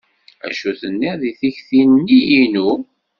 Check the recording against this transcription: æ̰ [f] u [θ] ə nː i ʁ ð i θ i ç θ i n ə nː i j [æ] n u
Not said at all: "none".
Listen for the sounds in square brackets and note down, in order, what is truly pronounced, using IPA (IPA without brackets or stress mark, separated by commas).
ʃ, θ, i